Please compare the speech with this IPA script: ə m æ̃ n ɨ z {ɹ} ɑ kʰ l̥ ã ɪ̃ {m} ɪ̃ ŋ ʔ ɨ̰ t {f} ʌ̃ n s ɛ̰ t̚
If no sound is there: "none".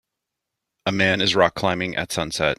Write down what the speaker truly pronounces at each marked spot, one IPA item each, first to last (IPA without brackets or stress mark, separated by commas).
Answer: ɹ, m, s